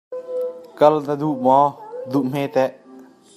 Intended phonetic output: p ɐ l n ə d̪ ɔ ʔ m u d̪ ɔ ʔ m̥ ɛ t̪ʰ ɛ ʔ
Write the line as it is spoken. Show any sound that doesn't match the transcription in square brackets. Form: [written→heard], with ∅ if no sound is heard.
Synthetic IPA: [p→k] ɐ l n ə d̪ [ɔ→u] ʔ m [u→ɔ] d̪ [ɔ→u] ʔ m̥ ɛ [t̪ʰ→t̪] ɛ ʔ

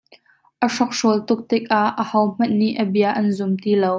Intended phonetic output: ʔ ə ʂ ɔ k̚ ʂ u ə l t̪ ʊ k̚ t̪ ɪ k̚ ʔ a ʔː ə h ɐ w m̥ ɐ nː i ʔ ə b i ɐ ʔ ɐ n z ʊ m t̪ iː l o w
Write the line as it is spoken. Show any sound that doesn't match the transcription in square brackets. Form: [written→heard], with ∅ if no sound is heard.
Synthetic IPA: ʔ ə ʂ ɔ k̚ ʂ u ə l t̪ ʊ k̚ t̪ ɪ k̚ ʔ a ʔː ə h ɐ w m̥ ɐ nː i ʔ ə b i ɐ ʔ ɐ n z ʊ m t̪ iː l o w

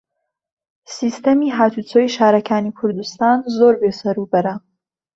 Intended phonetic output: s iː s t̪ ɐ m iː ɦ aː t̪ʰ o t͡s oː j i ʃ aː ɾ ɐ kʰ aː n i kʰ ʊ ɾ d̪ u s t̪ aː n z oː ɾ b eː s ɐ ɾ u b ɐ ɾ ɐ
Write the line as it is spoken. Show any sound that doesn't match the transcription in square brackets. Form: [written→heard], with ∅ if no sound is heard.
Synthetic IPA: s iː s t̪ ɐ m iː ɦ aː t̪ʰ [o→u] t͡s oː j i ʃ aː ɾ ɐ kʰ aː n i kʰ ʊ ɾ d̪ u s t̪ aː n z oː ɾ b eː s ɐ ɾ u b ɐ ɾ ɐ

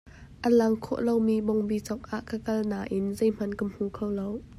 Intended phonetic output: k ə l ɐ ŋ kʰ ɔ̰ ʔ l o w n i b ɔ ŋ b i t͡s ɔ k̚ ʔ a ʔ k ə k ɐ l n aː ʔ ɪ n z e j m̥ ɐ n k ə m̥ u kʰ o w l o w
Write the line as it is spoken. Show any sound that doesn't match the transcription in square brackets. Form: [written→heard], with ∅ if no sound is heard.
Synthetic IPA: [k→ʔ] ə l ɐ ŋ kʰ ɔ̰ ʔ l o w [n→m] i b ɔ ŋ b i t͡s ɔ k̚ ʔ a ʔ k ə k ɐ l n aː ʔ ɪ n z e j m̥ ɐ n k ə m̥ u kʰ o w l o w

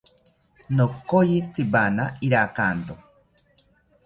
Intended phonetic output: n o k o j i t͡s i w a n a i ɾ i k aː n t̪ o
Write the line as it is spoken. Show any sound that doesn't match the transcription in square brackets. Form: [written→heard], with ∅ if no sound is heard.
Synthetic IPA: n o k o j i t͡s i [w→b] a n a i ɾ [i→a] k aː n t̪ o

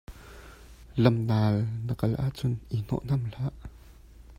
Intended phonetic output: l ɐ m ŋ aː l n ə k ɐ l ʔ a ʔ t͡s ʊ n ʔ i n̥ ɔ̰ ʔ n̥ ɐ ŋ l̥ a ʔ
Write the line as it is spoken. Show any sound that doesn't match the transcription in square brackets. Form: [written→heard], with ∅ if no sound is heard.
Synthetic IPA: l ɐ m [ŋ→n] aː l n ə k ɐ l ʔ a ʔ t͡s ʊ n ʔ i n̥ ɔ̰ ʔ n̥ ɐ [ŋ→m] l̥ a ʔ

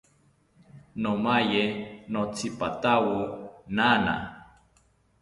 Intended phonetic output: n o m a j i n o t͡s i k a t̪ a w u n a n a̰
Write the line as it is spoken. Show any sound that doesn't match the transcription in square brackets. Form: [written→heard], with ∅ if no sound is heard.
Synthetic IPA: n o m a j [i→e] n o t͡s i [k→p] a t̪ a w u n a n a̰

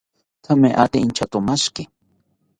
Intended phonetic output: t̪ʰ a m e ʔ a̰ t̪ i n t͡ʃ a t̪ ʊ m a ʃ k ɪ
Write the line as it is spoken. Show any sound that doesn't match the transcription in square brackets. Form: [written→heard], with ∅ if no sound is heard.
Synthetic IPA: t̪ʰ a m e ʔ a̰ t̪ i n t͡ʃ a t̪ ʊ m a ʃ k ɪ

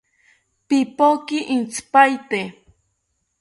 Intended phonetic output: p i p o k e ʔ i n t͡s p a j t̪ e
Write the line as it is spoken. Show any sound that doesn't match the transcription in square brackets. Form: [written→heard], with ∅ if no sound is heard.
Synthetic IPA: p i p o k [e→i] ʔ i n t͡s p a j t̪ e

